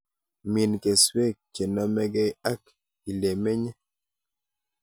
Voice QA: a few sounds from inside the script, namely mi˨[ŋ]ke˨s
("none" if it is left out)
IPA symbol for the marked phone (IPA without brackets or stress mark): n